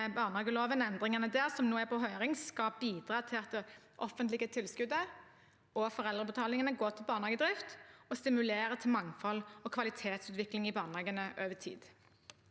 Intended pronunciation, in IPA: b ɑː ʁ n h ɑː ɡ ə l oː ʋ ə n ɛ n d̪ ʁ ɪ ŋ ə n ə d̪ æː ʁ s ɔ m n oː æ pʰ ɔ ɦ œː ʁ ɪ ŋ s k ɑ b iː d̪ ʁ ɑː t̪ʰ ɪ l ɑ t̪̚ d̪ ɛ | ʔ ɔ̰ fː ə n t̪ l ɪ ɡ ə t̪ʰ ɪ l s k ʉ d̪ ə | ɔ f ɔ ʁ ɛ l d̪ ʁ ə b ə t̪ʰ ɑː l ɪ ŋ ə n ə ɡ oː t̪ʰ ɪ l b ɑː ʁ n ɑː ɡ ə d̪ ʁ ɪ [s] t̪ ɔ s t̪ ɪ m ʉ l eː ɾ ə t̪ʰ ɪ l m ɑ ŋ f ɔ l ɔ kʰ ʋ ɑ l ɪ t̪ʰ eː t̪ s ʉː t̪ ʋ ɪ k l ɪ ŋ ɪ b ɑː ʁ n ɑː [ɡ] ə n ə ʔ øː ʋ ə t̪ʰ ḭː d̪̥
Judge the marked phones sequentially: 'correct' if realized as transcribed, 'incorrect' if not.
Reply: incorrect: f, correct

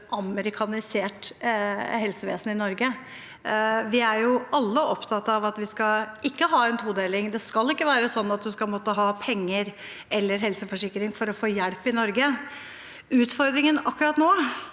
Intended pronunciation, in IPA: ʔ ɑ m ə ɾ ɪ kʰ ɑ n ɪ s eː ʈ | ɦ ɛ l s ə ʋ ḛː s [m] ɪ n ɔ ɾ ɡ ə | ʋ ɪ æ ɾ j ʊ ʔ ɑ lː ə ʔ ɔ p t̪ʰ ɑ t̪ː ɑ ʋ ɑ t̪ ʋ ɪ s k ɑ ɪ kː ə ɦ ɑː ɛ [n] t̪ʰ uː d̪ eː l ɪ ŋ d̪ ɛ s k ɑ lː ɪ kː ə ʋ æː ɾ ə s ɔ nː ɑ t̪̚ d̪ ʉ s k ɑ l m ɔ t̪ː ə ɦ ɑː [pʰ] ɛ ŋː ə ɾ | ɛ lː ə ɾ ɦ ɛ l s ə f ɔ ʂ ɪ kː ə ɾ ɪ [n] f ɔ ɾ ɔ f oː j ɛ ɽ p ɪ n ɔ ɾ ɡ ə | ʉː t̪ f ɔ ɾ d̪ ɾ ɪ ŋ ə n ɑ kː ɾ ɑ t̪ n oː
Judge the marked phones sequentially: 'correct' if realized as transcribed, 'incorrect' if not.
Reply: incorrect: n, correct, correct, incorrect: ŋ

